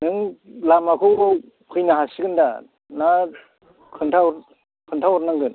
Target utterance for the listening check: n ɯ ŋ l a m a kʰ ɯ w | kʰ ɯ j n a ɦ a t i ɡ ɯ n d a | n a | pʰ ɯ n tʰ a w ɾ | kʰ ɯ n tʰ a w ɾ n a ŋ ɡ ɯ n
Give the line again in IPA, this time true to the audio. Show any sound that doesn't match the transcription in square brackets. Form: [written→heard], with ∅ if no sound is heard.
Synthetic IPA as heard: n ɯ ŋ l a m a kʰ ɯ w | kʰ ɯ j n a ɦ a [t→s] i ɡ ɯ n d a | n a | [pʰ→kʰ] ɯ n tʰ a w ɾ | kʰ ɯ n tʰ a w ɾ n a ŋ ɡ ɯ n